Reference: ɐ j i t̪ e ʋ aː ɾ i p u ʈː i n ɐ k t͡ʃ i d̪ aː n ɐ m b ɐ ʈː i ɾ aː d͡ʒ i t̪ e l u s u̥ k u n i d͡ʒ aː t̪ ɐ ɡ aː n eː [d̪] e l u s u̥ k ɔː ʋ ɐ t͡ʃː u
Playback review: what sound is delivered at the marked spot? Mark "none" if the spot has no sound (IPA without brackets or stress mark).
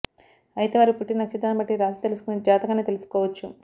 t̪